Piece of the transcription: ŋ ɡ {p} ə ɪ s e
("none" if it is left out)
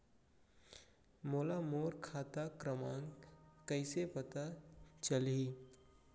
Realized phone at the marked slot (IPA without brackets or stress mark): k